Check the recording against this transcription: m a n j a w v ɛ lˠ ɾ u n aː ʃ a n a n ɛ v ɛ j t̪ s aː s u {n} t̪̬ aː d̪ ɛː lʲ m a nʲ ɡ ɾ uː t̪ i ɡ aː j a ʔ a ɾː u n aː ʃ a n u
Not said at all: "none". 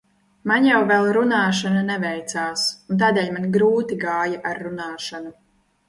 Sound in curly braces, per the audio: n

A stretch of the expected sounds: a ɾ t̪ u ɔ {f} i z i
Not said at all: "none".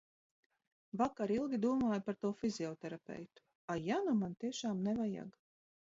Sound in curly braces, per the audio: f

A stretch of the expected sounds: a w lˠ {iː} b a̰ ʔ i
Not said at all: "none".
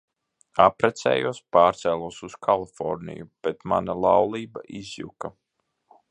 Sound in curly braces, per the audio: iː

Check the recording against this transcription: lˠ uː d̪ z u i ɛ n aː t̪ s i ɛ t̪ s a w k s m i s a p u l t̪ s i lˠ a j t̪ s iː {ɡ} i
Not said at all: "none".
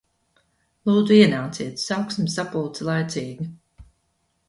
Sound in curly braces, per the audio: ɡ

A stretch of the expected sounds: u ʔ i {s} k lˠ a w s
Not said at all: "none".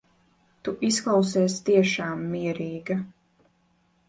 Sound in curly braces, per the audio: s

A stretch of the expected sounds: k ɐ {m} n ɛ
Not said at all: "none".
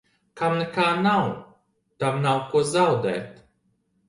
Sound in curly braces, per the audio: m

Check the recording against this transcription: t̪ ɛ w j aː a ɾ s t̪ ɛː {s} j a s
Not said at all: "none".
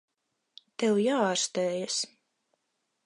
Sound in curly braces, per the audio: none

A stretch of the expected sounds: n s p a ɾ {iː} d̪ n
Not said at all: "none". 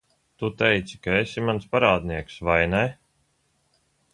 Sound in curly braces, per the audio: aː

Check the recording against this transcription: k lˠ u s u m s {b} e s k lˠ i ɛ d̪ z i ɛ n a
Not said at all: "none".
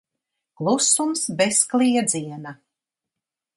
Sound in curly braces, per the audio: b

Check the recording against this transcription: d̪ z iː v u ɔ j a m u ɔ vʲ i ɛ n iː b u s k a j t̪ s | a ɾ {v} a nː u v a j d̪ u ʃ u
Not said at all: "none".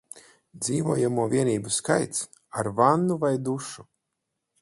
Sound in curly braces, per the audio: v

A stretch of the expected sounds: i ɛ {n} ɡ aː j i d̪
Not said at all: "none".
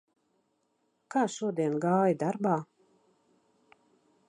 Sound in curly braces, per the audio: n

